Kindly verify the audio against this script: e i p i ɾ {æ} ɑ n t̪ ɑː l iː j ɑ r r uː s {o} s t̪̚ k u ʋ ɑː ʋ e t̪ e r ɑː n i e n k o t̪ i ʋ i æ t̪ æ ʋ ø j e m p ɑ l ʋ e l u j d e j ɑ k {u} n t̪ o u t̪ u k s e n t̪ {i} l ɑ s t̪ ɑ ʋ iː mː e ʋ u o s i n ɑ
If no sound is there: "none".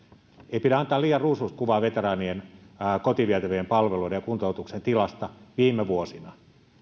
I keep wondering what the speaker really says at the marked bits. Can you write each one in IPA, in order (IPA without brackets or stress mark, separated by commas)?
æ, u, u, i